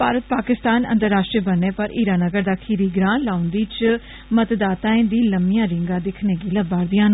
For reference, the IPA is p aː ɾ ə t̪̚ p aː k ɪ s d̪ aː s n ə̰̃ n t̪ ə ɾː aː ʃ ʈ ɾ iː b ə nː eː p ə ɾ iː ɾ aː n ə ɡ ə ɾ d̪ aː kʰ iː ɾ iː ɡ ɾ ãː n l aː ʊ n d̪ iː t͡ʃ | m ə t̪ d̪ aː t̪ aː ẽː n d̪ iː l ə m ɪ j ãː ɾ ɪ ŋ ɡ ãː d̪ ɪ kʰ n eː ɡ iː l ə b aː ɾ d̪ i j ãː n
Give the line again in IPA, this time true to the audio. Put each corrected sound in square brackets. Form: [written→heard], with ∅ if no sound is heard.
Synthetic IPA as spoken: p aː ɾ ə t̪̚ p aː k ɪ s [d̪→t̪] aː [s→∅] n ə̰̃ n t̪ ə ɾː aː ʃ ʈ ɾ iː b ə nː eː p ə ɾ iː ɾ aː n ə ɡ ə ɾ d̪ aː kʰ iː ɾ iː ɡ ɾ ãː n l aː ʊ n d̪ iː t͡ʃ | m ə t̪ d̪ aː t̪ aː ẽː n d̪ iː l ə m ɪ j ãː ɾ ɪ ŋ ɡ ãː d̪ ɪ kʰ n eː ɡ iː l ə b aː ɾ d̪ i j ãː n